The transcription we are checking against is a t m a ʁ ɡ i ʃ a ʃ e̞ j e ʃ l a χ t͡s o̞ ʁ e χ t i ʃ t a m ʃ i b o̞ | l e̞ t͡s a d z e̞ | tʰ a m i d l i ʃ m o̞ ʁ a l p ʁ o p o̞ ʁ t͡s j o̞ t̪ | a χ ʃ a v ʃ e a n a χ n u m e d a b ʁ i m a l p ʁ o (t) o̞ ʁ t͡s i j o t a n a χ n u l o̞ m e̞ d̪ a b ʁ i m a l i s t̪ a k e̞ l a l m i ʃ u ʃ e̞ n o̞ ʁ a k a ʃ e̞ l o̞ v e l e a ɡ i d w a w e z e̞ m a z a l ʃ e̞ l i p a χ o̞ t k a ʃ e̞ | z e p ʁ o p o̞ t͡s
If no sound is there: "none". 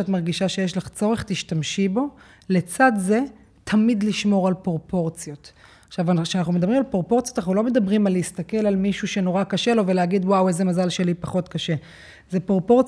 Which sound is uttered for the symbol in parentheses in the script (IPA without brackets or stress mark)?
p